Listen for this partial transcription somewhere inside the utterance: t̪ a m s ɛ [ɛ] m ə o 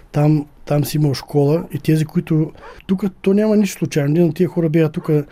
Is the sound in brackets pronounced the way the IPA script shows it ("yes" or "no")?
no